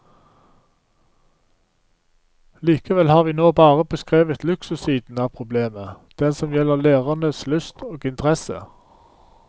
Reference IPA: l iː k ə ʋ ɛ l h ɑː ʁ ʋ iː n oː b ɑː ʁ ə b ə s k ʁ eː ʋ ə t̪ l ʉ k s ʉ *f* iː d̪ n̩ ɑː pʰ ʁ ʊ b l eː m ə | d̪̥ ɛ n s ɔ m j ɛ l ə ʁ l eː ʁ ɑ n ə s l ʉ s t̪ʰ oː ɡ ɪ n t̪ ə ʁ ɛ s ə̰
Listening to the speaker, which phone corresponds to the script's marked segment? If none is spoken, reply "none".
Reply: s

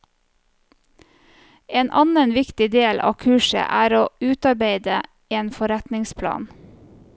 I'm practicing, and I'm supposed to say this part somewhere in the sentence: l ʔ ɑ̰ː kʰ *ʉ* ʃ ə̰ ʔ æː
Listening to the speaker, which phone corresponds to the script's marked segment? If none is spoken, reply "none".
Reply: ʉː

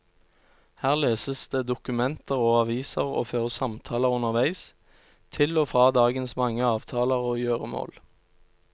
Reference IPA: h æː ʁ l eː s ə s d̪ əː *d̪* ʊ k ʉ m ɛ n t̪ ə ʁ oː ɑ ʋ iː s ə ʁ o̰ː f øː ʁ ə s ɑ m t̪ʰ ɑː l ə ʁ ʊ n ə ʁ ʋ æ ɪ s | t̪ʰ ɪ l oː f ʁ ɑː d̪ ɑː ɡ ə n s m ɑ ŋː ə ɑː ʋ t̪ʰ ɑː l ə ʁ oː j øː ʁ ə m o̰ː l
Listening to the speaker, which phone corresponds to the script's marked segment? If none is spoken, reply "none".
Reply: d̪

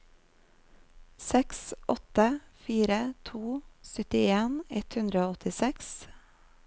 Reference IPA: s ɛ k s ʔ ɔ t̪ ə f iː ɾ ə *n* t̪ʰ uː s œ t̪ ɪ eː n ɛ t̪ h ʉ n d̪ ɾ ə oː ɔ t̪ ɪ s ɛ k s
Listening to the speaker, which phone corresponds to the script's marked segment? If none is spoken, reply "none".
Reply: none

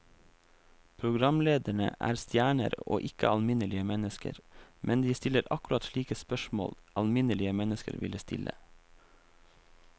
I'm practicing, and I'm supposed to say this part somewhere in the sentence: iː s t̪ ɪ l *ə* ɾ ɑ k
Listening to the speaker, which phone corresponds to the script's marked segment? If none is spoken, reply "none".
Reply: ə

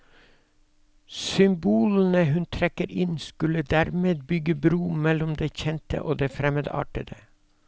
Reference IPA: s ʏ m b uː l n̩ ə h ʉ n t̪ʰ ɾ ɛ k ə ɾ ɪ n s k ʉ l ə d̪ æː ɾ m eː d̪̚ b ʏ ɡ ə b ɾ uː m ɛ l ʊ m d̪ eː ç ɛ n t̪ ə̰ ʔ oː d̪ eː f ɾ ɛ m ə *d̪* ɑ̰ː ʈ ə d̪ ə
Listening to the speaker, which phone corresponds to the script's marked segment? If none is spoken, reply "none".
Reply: d̪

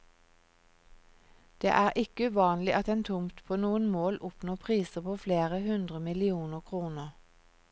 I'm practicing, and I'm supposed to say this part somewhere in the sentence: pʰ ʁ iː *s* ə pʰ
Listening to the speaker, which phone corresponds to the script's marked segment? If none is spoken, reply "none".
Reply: s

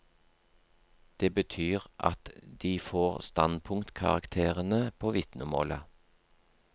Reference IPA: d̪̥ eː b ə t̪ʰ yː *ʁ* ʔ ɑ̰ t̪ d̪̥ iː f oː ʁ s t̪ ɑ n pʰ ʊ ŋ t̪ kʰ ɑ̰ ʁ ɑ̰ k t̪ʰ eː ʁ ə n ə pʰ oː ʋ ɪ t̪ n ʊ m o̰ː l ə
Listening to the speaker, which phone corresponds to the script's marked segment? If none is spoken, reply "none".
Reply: ʁ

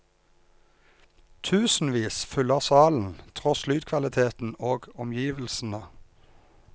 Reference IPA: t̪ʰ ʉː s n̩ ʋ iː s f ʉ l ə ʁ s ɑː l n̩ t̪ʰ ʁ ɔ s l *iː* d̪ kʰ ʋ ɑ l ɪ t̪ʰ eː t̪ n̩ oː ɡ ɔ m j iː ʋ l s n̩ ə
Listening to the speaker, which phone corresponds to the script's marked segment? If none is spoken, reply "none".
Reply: yː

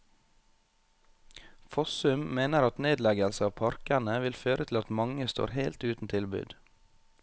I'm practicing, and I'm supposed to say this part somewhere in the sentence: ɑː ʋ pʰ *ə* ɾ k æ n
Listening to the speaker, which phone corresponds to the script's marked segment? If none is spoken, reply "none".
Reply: ɑ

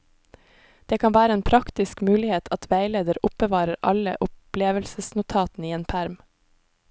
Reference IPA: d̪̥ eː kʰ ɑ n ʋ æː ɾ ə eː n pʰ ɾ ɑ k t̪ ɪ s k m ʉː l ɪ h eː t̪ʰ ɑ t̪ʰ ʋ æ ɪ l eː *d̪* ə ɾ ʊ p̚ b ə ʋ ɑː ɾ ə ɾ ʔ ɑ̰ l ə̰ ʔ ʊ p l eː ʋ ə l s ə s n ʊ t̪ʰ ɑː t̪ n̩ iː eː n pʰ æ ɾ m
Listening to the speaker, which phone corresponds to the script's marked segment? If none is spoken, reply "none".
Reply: d̪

